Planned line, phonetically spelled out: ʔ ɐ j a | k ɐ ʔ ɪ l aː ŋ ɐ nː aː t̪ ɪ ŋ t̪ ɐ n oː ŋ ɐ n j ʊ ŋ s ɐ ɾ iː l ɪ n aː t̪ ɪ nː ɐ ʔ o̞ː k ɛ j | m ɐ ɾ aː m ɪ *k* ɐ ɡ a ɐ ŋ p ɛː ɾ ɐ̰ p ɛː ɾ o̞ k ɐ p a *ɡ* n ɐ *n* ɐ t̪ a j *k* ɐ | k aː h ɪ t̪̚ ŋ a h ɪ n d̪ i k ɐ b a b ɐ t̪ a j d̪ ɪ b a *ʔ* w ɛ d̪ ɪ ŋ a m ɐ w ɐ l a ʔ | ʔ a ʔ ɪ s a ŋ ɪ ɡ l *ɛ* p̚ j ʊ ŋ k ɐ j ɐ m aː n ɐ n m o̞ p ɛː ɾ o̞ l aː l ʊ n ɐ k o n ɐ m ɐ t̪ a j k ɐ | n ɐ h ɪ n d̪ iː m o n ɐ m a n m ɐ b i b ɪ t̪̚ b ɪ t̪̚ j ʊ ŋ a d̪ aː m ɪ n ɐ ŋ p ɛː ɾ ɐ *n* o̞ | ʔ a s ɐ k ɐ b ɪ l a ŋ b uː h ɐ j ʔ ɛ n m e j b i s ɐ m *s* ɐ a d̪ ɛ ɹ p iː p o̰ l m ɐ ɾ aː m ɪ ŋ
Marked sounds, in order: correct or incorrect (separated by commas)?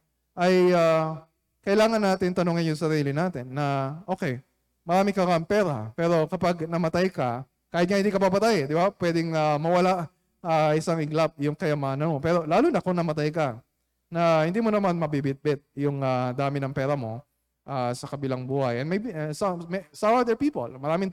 correct, correct, incorrect, correct, incorrect, incorrect, incorrect, correct